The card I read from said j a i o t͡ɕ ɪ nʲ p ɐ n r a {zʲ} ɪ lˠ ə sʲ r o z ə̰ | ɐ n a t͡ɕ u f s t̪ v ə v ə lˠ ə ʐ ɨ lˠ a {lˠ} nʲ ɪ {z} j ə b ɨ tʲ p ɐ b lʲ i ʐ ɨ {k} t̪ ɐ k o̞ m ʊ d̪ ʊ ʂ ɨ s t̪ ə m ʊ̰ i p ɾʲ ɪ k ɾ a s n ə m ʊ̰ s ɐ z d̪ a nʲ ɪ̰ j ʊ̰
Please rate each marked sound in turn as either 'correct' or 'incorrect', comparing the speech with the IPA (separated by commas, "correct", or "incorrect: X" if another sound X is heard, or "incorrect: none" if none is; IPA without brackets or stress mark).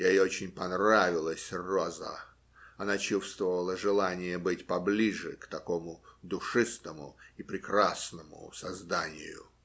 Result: incorrect: vʲ, incorrect: none, incorrect: none, correct